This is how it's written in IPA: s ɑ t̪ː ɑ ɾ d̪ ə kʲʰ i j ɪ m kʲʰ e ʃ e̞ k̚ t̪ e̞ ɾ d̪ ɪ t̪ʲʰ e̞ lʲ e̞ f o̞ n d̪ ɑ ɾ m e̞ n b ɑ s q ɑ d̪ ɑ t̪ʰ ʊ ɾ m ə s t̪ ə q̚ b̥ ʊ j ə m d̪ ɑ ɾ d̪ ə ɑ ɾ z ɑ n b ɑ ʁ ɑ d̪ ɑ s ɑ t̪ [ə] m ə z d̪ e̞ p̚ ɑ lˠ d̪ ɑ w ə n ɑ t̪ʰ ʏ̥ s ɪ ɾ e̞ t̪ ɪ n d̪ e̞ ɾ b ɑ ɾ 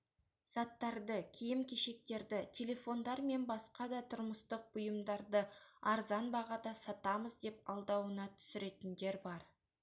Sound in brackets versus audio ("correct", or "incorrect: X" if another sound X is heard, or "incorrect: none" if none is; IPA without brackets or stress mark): incorrect: ɑ